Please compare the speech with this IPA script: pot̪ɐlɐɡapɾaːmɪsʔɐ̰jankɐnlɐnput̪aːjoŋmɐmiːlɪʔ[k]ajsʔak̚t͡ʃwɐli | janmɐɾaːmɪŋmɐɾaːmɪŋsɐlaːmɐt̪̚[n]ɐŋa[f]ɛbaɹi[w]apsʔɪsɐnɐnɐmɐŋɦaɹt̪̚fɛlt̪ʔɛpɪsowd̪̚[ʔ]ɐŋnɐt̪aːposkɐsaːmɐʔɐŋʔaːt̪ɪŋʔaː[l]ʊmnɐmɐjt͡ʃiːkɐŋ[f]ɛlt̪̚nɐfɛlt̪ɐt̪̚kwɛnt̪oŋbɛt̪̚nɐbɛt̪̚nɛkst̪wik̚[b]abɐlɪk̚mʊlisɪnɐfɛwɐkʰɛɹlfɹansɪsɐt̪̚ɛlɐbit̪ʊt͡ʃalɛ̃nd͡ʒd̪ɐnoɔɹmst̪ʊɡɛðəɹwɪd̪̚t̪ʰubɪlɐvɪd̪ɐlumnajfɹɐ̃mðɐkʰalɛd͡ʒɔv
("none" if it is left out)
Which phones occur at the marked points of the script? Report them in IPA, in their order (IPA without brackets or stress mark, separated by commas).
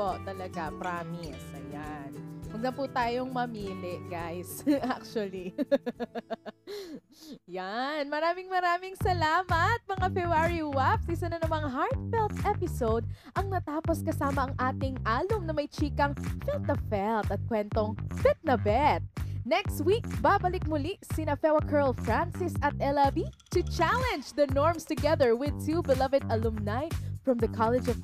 ɡ, m, f, w, ʔ, l, f, b